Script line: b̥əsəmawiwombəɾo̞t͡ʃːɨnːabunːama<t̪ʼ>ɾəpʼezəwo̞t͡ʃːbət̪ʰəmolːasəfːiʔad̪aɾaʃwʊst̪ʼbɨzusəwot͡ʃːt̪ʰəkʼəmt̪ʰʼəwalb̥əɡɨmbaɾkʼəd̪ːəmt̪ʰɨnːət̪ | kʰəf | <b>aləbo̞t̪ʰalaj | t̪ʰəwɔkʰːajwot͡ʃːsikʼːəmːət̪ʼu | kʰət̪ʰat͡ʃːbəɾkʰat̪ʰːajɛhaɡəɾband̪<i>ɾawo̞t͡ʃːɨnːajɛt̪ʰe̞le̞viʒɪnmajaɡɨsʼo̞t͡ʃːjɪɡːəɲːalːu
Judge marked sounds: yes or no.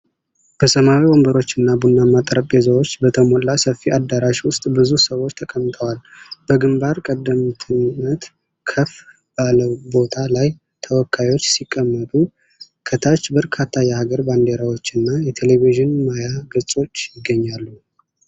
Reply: yes, yes, no

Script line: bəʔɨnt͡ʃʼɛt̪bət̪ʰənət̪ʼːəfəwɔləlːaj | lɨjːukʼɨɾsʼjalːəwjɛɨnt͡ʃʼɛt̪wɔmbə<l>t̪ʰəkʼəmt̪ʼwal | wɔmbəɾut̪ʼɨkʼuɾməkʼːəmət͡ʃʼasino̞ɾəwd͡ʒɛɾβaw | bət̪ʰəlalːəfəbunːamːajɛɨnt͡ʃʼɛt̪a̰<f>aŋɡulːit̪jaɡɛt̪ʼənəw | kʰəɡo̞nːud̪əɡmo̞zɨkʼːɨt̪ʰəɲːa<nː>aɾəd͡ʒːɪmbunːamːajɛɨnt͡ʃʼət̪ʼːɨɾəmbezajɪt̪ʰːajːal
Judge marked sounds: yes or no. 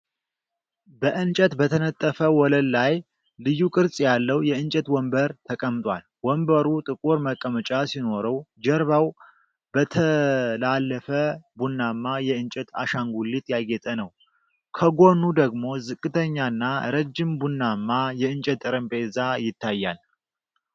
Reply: no, no, yes

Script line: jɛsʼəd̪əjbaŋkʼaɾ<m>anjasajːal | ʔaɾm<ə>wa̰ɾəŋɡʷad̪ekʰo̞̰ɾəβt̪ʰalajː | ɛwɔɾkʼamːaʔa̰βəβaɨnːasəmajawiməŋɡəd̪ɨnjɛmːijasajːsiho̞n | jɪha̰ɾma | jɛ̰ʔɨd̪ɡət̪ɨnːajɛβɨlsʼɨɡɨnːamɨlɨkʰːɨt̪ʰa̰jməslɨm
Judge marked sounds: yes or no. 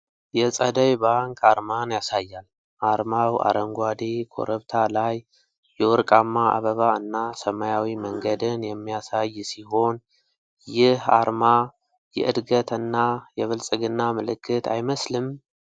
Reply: yes, no

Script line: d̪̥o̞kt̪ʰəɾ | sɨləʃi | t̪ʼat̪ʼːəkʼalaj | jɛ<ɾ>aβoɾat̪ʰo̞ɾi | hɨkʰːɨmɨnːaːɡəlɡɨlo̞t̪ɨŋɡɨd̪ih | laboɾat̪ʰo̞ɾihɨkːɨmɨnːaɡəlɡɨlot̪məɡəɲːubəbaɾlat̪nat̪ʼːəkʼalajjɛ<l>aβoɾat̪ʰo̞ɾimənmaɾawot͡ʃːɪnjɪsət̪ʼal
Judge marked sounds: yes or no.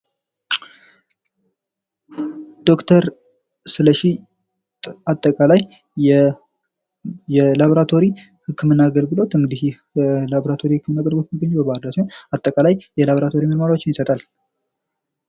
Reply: no, yes

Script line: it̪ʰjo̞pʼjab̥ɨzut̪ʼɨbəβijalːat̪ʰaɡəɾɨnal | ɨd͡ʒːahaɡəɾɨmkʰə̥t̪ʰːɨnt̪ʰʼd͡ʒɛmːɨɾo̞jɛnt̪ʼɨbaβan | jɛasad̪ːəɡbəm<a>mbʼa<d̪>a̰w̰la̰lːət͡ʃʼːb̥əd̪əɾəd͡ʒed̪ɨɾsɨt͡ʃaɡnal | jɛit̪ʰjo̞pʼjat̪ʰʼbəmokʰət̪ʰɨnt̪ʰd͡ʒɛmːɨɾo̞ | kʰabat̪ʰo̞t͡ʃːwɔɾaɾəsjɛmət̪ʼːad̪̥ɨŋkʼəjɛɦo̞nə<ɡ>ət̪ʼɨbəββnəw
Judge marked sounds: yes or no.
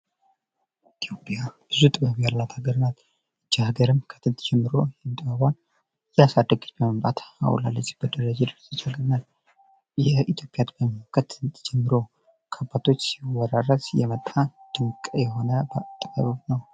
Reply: no, no, no

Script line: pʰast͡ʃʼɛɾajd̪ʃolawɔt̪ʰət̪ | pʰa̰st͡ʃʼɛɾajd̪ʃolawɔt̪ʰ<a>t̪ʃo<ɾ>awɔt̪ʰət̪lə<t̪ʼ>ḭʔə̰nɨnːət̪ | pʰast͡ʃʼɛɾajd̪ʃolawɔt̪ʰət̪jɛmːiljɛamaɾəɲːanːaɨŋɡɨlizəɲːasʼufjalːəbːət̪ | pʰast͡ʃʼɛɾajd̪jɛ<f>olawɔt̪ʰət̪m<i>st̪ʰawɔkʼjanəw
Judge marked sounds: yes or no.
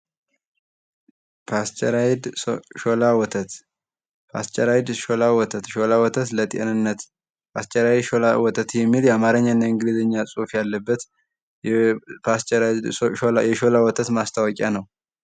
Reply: no, no, yes, no, no

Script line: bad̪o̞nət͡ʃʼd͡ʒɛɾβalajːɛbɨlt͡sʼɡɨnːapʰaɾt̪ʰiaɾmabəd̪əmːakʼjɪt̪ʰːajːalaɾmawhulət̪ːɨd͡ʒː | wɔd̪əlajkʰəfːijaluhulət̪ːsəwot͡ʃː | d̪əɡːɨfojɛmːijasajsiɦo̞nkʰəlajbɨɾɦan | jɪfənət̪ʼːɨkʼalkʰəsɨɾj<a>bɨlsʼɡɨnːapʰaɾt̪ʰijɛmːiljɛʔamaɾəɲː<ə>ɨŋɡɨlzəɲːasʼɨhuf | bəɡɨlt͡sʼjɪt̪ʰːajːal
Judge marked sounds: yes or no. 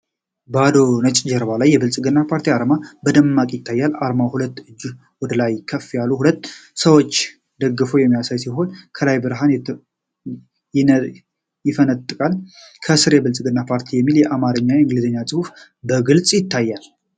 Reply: no, no

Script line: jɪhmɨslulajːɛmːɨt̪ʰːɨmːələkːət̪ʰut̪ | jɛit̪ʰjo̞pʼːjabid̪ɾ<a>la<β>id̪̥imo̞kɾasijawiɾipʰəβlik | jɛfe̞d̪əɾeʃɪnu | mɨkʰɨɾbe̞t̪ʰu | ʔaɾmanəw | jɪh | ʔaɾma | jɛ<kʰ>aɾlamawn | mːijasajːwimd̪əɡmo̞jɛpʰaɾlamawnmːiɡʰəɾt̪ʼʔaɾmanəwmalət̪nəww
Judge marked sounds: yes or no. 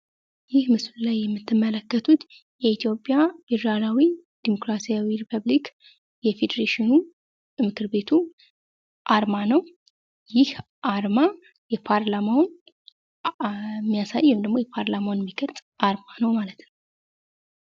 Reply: yes, no, no

